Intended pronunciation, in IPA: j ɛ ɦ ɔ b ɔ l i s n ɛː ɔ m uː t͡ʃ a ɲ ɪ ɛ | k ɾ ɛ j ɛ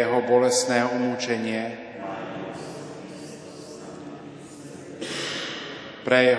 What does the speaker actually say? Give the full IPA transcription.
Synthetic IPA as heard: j ɛ ɦ ɔ b ɔ l ɛ s n ɛː u m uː t͡ʃ ɛ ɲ ɪ ɛ | p ɾ ɛ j ɛ